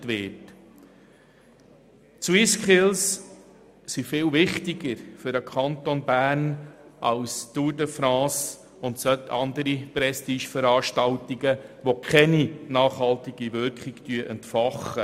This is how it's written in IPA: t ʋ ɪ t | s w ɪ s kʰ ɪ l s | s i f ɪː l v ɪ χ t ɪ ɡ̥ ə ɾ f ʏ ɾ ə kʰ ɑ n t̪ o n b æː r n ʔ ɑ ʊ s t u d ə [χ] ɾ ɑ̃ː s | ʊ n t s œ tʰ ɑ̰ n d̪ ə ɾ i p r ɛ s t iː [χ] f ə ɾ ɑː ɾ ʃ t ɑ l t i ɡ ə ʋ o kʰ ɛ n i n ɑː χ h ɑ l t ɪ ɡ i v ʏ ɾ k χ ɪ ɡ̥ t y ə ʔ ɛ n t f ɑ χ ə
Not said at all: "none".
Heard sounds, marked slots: f, ʃ

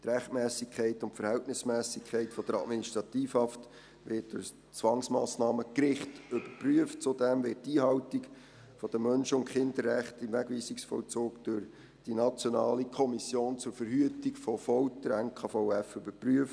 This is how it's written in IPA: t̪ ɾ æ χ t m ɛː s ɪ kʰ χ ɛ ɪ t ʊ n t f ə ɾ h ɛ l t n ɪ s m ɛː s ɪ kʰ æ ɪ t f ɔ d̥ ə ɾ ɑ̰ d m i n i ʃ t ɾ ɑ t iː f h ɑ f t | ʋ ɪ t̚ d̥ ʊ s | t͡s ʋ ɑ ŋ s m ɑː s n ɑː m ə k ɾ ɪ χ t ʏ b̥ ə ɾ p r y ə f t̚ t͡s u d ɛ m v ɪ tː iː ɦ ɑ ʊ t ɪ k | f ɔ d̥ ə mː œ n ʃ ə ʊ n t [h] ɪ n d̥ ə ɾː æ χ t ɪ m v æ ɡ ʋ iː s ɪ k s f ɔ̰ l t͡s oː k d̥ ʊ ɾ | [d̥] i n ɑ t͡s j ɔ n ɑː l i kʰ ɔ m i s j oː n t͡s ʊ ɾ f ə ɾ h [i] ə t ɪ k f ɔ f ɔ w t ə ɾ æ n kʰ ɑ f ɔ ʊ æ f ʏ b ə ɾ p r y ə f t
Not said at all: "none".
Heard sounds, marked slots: χ, d̥, y

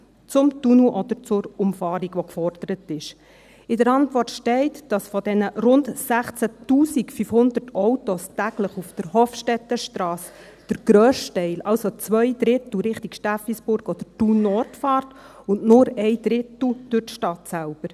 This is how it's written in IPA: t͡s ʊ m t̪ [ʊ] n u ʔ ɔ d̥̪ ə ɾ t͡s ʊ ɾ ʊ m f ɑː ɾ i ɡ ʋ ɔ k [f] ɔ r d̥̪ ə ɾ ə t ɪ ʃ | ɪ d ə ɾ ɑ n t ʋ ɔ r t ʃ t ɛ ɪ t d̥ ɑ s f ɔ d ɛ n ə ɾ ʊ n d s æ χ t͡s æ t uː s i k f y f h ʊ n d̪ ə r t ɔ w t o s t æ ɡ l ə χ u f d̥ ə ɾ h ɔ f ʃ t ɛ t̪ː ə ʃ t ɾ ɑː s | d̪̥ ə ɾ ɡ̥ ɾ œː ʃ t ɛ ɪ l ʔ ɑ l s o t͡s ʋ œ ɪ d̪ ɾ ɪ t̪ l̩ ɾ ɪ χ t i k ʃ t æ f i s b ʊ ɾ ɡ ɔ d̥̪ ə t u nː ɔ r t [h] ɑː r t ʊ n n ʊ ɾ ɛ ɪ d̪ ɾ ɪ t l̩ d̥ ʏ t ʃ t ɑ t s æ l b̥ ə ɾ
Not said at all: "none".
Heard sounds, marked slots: u, f, f

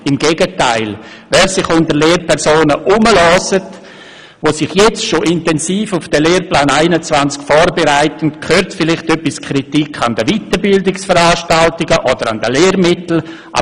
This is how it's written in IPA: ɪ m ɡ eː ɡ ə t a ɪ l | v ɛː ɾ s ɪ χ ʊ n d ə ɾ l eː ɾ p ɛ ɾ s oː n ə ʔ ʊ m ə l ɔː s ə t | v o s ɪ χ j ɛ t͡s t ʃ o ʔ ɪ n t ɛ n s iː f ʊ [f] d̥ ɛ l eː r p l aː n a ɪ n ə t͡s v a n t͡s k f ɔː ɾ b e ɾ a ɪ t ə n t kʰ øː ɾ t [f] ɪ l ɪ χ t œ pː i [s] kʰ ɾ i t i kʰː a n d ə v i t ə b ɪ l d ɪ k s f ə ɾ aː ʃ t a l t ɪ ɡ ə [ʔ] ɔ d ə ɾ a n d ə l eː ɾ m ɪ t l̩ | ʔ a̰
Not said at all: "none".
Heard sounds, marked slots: f, f, s, ʔ

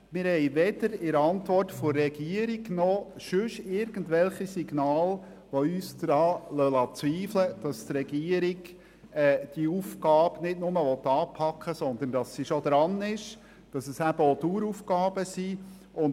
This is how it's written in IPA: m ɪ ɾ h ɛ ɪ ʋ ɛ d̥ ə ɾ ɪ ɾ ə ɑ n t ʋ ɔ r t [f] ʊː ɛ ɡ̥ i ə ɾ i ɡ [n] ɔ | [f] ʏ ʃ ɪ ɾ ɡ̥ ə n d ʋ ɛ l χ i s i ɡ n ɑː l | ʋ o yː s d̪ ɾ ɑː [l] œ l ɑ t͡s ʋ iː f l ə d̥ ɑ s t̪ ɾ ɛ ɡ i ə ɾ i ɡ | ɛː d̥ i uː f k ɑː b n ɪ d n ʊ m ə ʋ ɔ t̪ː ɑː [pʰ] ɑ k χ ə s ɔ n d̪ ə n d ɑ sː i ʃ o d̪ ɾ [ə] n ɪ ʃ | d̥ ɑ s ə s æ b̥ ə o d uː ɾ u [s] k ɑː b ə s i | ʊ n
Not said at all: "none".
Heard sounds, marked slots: f, n, ʃ, l, pʰ, ɑ, f

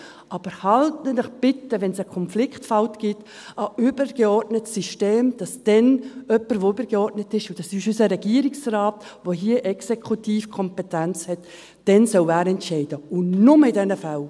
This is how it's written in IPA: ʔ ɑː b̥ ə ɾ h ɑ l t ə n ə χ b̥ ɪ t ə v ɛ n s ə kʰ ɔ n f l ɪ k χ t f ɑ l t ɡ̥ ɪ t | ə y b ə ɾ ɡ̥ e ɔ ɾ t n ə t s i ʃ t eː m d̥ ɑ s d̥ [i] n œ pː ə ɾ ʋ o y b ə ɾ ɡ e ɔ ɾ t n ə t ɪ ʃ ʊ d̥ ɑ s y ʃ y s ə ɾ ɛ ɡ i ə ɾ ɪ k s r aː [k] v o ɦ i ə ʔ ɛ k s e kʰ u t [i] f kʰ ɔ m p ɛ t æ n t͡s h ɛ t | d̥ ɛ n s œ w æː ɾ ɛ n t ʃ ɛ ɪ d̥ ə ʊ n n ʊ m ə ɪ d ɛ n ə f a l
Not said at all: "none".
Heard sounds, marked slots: ɛ, t, iː

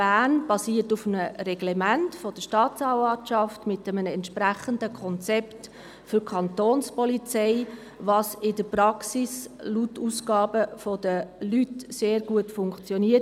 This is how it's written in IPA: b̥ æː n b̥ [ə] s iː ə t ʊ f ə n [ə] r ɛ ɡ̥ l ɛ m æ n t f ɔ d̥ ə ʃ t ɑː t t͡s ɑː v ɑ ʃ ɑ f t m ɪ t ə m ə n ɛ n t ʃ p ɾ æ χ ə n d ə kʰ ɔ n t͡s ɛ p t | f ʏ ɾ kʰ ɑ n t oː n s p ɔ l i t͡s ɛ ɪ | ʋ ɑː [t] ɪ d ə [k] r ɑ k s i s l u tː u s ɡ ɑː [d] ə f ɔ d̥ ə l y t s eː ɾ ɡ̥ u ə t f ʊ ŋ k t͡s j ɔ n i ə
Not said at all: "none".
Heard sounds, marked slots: ɑ, ə, s, p, b

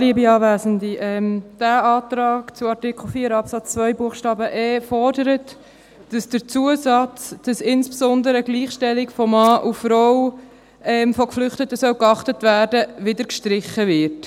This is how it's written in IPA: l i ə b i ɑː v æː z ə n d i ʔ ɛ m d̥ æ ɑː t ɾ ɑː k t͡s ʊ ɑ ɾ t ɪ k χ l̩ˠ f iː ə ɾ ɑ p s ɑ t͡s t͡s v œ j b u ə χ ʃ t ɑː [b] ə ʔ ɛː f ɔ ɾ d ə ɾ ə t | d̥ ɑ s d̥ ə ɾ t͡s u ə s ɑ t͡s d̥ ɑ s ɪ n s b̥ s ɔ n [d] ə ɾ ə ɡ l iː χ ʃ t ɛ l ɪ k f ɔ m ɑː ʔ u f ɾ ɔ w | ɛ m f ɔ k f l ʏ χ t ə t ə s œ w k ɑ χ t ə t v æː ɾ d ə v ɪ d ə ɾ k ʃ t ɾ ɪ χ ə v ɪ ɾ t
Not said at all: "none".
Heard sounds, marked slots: b, d

